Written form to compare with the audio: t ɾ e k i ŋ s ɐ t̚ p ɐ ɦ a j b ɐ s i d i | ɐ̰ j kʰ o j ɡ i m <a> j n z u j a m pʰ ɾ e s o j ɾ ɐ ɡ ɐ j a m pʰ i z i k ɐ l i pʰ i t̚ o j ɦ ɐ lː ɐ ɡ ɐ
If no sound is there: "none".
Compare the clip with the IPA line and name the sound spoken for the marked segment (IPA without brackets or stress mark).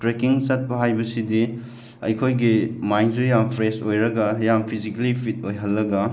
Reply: a